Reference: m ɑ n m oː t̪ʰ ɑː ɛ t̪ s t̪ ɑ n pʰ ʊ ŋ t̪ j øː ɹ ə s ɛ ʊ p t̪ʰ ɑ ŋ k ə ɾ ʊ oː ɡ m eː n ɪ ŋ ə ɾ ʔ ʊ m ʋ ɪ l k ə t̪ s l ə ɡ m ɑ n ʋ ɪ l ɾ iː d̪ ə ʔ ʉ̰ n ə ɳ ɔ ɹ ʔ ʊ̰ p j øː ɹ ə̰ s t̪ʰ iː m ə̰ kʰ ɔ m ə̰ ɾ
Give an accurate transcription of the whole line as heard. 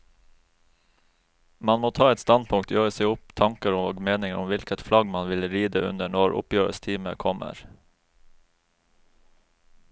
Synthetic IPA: m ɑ n m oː t̪ʰ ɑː ɛ t̪ s t̪ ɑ n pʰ ʊ ŋ t̪ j øː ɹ ə s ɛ ʊ p t̪ʰ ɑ ŋ k ə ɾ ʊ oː ɡ m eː n ɪ ŋ ə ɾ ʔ ʊ m ʋ ɪ l k ə t̪ f l ɑ ɡ m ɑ n ʋ ɪ l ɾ iː d̪ ə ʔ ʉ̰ n ə ɳ ɔ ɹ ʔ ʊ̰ p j øː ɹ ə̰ s t̪ʰ iː m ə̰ kʰ ɔ m ə̰ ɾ